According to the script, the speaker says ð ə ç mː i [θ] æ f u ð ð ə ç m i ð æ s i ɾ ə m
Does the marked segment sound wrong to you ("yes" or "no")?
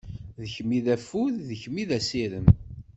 yes